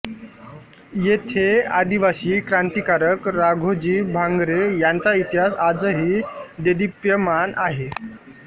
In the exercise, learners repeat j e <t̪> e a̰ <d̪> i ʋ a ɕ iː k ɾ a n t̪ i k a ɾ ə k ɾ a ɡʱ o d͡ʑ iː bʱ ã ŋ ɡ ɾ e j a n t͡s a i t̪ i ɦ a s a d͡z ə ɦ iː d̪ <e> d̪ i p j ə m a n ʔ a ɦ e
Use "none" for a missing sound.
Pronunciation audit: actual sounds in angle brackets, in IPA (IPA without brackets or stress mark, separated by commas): t̪ʰ, d̪, e